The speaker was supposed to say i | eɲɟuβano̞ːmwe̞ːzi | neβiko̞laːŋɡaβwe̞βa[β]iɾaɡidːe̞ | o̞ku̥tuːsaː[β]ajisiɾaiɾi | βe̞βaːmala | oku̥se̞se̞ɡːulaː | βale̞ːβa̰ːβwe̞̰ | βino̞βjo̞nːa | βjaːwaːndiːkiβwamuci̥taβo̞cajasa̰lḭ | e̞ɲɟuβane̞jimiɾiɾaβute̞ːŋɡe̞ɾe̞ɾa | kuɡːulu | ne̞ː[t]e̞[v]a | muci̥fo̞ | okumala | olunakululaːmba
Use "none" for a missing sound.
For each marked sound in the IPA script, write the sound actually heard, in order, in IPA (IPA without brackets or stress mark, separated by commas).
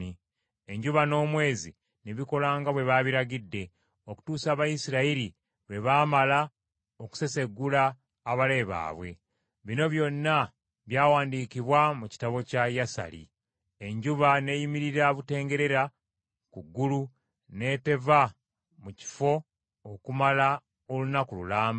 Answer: β, β, t, v